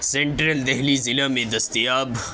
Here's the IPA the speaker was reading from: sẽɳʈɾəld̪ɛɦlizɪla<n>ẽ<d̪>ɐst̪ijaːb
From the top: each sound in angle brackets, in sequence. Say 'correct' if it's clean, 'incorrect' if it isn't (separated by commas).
incorrect, correct